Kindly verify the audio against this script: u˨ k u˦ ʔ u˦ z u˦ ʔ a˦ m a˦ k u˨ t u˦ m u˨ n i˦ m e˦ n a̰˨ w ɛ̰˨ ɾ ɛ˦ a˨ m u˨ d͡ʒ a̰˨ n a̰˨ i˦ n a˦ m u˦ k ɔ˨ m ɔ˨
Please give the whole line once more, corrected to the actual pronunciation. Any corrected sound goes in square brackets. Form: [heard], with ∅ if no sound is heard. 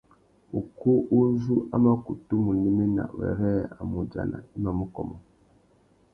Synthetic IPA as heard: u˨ k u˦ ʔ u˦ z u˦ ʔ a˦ m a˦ k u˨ t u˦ m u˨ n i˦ m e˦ n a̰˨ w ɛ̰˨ ɾ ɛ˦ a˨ m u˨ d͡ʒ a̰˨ n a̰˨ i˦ [m] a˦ m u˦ k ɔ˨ m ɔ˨